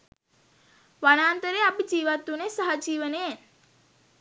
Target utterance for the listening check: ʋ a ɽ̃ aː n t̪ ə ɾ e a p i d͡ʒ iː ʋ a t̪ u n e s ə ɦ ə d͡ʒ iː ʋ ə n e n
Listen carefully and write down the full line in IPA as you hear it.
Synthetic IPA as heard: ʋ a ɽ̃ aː n t̪ ə ɾ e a p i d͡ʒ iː ʋ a t̪ u n e s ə ɦ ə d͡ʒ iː ʋ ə n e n